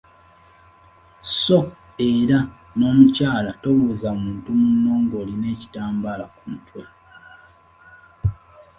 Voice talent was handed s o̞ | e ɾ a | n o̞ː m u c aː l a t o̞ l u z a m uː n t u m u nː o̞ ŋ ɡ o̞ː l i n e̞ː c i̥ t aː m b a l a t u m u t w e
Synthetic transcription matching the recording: s o̞ | e ɾ a | n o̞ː m u c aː l a t o̞ l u z a m uː n t u m u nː o̞ ŋ ɡ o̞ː l i n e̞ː c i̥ t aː m b a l a k u m u t w e